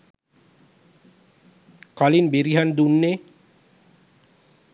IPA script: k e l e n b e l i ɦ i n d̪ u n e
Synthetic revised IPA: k a l i n b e ɾ i ɦ a n d̪ u nː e